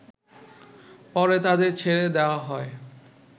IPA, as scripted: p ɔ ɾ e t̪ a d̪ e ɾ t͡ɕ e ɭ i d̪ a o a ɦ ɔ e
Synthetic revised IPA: p ɔ ɾ e t̪ a d̪ e ɾ t͡ɕʰ e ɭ e d̪ e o a ɦ ɔ e